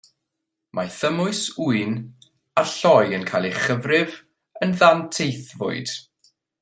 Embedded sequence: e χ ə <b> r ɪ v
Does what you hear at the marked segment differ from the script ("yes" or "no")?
yes